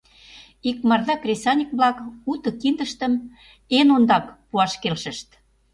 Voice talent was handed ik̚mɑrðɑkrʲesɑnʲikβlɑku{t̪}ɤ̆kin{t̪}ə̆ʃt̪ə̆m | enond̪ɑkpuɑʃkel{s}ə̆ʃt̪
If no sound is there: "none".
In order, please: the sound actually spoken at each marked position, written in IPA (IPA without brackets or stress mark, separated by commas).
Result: t̪, d̪, ʃ